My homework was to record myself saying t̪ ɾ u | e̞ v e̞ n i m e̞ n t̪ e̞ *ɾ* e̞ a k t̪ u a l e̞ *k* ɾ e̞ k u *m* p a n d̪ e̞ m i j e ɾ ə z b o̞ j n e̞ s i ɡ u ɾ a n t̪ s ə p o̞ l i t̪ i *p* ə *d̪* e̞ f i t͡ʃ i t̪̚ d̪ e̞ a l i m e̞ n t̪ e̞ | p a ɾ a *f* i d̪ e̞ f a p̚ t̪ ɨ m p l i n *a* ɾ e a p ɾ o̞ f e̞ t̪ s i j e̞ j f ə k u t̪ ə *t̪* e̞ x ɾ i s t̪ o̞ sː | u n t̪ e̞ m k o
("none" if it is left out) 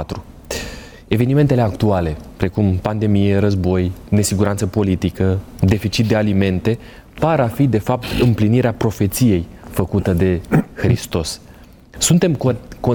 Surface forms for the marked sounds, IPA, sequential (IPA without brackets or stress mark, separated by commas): l, p, m, k, d̪, f, i, d̪